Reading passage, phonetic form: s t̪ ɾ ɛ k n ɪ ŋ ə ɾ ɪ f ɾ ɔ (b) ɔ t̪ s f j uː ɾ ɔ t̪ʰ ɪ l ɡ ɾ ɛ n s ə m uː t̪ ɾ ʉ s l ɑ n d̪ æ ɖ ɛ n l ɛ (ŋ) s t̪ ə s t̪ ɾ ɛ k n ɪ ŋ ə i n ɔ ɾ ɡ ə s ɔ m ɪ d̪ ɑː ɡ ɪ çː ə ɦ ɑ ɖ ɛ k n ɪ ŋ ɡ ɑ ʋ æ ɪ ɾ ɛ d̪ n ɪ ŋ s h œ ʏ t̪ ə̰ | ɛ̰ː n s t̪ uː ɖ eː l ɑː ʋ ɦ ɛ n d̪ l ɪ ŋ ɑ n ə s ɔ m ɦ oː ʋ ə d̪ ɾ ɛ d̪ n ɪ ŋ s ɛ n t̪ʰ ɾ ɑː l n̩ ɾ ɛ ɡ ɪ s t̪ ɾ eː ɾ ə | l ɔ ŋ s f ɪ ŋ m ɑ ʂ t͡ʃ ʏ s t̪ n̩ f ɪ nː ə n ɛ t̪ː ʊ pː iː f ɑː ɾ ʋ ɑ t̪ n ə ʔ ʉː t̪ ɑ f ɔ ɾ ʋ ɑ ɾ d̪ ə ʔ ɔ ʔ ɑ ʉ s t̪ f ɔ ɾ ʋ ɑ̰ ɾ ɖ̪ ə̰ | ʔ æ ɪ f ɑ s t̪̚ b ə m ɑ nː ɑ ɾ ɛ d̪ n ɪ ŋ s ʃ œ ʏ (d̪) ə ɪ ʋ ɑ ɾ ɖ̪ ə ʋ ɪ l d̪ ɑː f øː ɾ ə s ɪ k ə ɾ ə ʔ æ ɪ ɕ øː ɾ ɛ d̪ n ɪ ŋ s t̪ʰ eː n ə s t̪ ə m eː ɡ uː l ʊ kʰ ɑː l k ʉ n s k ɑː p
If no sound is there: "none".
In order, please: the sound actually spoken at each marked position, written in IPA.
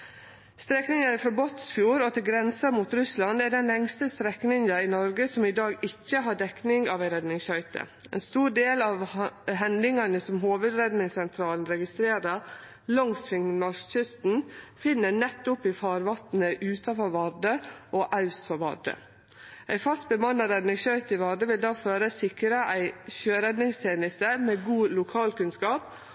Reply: b, ŋ, t̪

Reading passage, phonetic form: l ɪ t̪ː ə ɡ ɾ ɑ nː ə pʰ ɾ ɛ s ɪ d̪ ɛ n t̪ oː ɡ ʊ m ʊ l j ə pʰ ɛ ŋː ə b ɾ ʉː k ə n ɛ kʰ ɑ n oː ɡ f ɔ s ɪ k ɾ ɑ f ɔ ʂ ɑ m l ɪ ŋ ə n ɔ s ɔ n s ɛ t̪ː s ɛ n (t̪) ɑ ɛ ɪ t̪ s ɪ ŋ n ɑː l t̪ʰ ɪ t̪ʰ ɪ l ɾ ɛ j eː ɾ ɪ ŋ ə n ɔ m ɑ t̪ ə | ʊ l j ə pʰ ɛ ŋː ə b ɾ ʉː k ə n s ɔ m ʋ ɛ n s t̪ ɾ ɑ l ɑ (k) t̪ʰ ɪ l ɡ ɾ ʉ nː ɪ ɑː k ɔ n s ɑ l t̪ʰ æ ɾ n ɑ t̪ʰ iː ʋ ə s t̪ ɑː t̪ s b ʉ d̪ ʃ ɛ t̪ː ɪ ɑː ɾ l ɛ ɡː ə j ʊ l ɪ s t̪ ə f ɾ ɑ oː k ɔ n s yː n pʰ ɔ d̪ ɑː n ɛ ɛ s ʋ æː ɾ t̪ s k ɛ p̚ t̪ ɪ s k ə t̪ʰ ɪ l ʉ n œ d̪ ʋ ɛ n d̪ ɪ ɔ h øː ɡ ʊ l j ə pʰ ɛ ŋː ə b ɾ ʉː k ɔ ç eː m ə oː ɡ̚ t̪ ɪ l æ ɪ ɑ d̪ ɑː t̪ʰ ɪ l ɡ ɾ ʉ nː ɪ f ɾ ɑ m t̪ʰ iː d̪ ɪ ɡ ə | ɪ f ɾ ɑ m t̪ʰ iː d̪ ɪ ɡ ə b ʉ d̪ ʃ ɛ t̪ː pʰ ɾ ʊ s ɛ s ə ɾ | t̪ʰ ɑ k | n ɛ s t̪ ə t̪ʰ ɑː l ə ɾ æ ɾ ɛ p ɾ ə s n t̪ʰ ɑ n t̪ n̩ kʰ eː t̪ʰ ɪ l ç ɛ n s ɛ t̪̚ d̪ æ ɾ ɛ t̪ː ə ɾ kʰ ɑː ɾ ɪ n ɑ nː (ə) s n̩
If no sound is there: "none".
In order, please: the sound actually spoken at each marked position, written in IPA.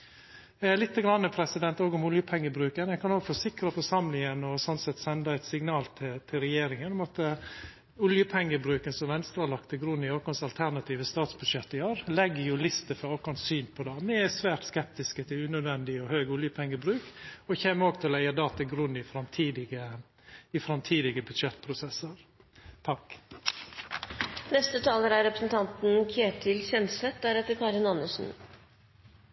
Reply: d̪, k, ə

